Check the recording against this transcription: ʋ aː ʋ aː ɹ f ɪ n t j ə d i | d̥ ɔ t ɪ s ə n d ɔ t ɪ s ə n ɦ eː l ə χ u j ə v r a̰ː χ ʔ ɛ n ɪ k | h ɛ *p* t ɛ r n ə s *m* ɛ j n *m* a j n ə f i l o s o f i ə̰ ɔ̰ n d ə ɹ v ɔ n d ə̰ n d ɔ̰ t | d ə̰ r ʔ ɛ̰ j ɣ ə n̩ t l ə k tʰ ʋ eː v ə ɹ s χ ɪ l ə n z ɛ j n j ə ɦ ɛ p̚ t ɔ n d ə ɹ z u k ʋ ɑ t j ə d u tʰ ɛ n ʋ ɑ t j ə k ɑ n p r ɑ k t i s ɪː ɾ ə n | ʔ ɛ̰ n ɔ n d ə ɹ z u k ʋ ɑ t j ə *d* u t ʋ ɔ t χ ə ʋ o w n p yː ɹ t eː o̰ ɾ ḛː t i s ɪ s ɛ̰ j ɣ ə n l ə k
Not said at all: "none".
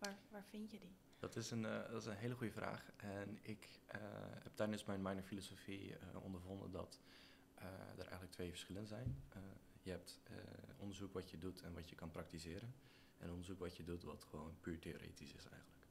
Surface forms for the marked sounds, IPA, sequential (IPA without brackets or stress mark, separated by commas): p, m, m, d